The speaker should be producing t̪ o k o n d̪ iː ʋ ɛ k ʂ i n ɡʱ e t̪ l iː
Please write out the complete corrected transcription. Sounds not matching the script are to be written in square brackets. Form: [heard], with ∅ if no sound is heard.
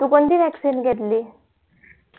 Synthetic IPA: t̪ [u] k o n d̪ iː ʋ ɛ k [s] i n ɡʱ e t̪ l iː